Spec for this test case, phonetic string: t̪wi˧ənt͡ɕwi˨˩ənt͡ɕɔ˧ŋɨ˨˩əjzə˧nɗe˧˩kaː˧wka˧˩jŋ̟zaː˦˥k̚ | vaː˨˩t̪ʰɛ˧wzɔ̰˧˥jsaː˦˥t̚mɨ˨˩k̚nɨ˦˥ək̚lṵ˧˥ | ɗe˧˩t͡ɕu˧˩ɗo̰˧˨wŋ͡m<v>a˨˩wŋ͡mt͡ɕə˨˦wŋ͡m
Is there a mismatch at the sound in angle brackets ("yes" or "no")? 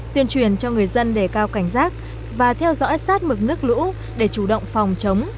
yes